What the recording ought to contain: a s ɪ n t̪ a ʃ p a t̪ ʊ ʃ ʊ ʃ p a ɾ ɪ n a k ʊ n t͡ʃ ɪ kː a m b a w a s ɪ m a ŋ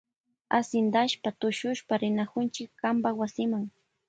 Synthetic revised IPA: a s ɪ n d̪ a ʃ p a t̪ ʊ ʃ ʊ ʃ p a ɾ ɪ n a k ʊ n t͡ʃ ɪ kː a m b a w a s ɪ m a ŋ